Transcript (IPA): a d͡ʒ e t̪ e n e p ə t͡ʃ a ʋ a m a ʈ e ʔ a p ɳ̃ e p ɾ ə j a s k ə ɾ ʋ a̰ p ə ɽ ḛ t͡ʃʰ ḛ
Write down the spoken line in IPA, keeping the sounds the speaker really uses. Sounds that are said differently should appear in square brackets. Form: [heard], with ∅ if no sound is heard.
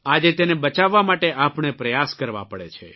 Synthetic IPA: a d͡ʒ e t̪ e n e [b] ə t͡ʃ a [ʋː] a m a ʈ e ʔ a p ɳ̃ e p ɾ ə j a s k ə ɾ ʋ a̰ p ə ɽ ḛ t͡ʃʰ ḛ